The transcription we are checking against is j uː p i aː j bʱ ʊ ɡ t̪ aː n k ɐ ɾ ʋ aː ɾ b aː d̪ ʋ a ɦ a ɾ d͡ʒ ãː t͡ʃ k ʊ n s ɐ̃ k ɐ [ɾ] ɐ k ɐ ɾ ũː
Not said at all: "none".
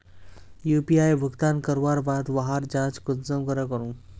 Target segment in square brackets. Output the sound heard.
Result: ɾ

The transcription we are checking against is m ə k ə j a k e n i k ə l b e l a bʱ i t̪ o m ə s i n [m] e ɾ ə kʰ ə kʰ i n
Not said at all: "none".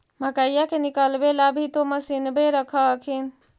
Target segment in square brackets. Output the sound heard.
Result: b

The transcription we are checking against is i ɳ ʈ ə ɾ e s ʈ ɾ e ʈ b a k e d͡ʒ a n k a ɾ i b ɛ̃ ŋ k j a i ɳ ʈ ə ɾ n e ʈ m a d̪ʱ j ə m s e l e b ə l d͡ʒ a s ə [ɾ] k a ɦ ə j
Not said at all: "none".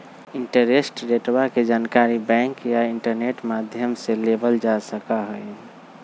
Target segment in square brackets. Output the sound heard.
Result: none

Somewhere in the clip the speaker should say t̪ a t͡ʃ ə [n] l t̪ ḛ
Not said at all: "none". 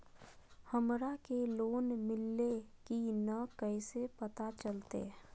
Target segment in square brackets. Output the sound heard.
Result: none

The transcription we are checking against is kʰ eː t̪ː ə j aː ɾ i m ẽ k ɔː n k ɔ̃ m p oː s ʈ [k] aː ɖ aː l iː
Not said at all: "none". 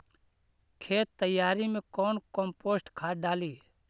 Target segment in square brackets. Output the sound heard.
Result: kʰ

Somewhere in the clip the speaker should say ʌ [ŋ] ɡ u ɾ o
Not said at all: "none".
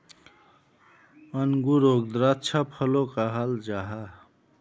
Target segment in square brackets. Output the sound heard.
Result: n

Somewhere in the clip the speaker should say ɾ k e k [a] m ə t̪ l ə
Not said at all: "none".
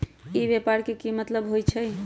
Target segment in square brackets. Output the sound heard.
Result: i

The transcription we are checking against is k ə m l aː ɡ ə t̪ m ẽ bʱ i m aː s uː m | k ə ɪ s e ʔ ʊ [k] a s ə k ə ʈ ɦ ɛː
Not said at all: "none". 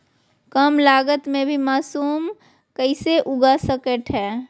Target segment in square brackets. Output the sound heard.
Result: ɡ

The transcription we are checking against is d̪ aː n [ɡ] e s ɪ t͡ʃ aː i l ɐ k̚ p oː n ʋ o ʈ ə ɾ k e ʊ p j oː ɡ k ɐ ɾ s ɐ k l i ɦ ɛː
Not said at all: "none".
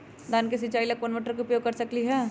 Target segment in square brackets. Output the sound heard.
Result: k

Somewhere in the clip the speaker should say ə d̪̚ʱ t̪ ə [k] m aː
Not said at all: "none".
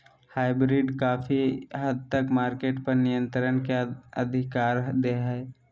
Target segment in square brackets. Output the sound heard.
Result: k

